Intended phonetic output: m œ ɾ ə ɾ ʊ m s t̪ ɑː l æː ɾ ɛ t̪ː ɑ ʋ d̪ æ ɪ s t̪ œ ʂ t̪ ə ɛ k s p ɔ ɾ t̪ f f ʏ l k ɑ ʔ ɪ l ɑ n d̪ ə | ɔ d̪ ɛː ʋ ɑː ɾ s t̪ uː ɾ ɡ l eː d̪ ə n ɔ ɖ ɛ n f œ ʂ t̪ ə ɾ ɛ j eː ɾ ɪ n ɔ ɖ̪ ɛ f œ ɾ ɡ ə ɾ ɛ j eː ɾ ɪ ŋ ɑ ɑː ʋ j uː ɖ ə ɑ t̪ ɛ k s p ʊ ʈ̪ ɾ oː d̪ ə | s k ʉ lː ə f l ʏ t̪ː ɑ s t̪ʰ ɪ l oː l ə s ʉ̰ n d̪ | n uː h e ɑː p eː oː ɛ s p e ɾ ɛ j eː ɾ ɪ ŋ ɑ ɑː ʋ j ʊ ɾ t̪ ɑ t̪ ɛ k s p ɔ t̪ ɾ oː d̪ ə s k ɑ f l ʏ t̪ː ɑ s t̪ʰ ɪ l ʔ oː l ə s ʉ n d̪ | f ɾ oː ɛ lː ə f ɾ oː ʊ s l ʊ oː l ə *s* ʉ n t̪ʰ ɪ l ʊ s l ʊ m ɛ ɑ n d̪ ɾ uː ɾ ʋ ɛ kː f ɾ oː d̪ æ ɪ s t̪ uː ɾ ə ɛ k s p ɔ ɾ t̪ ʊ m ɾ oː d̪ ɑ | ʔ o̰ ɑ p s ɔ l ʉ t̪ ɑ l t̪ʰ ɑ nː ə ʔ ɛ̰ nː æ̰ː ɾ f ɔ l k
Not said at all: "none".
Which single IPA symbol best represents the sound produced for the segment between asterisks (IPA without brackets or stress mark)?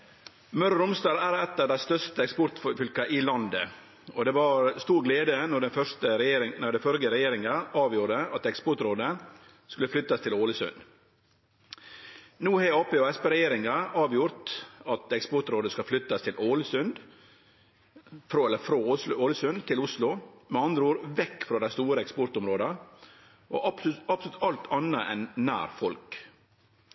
s